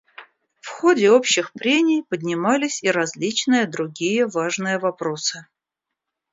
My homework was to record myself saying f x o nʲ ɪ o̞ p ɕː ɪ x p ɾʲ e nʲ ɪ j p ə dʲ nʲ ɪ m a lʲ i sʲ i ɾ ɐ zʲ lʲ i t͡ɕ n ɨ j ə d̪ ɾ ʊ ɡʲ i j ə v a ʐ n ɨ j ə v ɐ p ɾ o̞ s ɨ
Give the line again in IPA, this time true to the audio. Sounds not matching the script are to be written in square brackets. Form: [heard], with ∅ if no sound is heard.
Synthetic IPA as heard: f x o [dʲ] ɪ o̞ p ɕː ɪ x p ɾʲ e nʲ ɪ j p ə dʲ nʲ ɪ m a lʲ [ɪ] sʲ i ɾ ɐ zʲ lʲ i t͡ɕ n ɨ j ə d̪ ɾ ʊ ɡʲ i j ə v a ʐ n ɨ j ə v ɐ p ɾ o̞ s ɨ